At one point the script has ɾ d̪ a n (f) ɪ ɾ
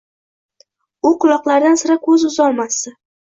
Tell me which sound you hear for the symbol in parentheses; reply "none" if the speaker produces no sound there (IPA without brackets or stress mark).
s